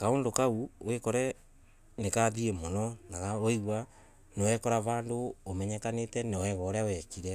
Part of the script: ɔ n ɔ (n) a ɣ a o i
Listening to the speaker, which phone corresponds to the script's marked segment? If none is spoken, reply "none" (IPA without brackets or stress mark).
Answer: n